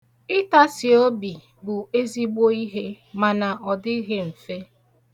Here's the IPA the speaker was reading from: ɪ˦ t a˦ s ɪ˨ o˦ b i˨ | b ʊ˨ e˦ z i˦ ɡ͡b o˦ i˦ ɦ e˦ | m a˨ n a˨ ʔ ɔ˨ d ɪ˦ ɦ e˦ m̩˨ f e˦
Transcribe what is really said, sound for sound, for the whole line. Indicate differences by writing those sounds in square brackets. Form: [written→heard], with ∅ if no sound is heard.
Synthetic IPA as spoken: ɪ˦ t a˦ s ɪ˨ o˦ b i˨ | b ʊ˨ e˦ z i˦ ɡ͡b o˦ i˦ ɦ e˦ | m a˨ n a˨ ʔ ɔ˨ d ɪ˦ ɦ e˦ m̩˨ f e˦